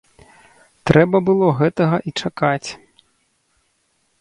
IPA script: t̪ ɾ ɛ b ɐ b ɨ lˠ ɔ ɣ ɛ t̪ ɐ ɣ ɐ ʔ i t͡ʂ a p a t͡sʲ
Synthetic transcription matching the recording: t̪ ɾ ɛ b ɐ b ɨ lˠ ɔ ɣ ɛ t̪ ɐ ɣ ɐ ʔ i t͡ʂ a k a t͡sʲ